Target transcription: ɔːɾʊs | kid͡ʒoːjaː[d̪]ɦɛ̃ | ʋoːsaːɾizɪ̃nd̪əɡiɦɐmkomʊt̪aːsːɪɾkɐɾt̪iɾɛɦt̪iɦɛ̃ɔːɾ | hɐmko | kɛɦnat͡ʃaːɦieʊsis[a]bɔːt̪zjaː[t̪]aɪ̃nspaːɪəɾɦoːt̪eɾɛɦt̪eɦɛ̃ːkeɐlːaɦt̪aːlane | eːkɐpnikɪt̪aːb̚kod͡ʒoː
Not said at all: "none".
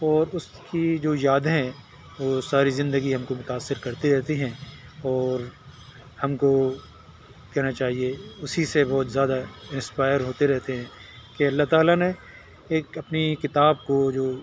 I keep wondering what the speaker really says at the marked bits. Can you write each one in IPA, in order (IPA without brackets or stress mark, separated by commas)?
d̪, e, d̪